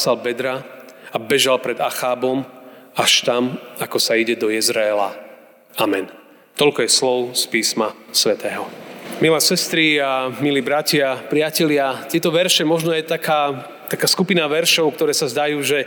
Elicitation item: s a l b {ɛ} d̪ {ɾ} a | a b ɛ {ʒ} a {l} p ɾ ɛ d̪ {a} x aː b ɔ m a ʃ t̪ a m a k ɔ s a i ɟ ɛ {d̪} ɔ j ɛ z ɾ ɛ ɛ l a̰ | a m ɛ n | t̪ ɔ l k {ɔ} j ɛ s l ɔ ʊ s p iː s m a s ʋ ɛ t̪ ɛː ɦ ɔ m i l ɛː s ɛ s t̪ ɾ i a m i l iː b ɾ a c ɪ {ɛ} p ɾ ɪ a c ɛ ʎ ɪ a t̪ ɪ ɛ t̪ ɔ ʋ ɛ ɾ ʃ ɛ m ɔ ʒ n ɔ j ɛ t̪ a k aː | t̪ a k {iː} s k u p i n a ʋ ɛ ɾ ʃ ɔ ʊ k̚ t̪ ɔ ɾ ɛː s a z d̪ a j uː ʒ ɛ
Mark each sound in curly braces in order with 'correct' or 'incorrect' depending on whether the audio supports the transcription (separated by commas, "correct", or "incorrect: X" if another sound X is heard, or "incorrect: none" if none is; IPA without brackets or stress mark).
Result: correct, correct, correct, correct, correct, correct, correct, incorrect: a, incorrect: aː